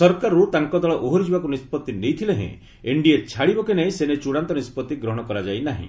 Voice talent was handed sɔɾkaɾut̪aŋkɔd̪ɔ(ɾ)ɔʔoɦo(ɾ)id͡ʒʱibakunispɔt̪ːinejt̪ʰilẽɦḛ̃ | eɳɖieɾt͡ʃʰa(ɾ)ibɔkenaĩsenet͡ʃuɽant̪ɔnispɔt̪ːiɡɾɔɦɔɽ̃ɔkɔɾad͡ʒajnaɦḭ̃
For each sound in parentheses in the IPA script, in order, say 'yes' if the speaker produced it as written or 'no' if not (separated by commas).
no, yes, no